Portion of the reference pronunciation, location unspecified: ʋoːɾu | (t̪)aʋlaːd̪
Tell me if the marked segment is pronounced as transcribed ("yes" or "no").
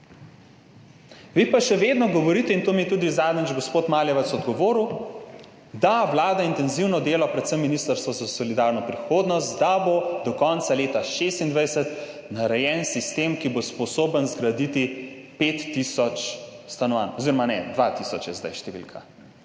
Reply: no